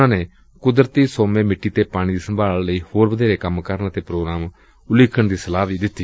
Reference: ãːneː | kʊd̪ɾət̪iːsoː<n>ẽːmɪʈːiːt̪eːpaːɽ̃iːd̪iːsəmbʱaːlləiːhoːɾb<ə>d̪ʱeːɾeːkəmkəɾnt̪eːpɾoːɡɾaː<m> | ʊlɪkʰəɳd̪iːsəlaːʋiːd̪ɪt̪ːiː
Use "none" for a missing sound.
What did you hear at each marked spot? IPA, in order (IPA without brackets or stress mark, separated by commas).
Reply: m, ə, m